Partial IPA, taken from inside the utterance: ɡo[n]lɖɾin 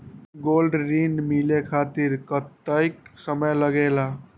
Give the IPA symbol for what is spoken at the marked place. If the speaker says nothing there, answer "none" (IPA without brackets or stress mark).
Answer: none